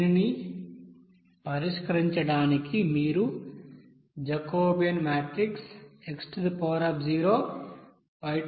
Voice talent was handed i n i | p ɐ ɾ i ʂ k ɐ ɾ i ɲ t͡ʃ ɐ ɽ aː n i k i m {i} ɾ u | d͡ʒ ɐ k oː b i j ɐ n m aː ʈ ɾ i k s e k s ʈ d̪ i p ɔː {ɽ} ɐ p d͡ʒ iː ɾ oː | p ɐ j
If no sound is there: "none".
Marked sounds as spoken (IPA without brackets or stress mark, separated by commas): iː, ɾ